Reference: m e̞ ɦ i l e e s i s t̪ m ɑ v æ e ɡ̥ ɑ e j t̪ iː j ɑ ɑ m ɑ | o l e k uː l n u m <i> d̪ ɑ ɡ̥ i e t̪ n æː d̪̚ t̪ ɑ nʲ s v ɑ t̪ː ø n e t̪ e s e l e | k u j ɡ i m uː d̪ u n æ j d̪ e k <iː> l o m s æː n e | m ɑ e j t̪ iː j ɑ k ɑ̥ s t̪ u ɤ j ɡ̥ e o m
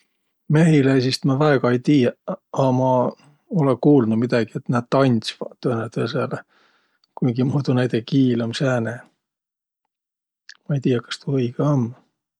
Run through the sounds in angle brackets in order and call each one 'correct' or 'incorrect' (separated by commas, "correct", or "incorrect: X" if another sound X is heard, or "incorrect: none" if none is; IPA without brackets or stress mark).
correct, correct